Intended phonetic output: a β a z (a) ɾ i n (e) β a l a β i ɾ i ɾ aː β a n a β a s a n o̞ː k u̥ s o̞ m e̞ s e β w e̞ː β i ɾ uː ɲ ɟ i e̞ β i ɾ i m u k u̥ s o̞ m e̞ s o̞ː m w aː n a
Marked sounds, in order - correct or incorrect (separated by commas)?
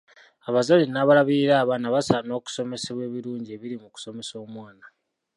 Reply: correct, incorrect